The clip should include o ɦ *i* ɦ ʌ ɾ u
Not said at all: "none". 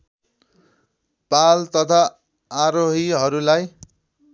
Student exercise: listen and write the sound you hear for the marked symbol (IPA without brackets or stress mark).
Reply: i